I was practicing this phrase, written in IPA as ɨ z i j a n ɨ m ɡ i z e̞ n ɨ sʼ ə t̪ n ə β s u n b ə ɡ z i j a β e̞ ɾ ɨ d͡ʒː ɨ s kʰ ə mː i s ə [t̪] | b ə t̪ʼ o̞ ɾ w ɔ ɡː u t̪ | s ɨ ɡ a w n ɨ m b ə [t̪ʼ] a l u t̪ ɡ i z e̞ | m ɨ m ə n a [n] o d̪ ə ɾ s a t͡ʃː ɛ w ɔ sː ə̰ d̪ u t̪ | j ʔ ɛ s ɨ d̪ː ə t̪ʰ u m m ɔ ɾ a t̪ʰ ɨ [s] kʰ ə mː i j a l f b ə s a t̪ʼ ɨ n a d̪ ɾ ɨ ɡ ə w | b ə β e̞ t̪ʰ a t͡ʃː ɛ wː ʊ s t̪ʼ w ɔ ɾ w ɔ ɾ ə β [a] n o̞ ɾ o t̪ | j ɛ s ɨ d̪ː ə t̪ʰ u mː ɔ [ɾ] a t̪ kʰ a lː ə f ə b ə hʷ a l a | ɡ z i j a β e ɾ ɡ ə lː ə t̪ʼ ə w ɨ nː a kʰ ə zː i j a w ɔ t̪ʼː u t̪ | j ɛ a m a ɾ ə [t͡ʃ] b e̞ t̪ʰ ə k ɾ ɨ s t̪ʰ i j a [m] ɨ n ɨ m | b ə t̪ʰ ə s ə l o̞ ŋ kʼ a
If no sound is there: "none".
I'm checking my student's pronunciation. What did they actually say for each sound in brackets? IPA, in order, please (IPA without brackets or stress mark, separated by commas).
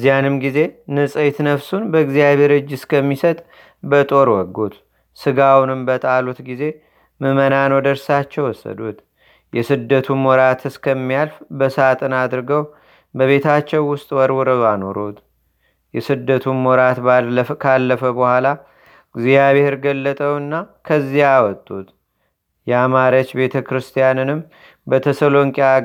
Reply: t̪ʼ, t̪ʼ, n, s, a, ɾ, t͡ʃ, n